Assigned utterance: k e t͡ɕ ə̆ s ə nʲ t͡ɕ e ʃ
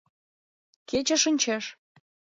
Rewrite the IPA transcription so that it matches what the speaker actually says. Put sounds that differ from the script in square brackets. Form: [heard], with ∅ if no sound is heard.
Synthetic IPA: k e t͡ɕ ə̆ [ʃ] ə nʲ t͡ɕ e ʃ